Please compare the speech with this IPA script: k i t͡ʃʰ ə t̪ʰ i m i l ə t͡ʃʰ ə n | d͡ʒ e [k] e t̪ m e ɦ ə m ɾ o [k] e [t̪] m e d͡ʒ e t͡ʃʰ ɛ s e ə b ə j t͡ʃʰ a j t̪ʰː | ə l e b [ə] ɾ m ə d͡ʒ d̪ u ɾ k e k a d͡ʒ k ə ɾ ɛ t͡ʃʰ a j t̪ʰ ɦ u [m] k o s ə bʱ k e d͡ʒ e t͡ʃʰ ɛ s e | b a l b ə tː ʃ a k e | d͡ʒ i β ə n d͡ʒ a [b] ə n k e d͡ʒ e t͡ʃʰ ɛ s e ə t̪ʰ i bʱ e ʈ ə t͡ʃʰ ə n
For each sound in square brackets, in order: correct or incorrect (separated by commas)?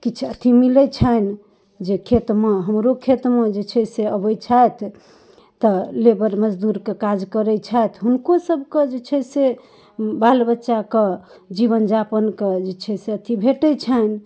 incorrect, incorrect, correct, correct, incorrect, incorrect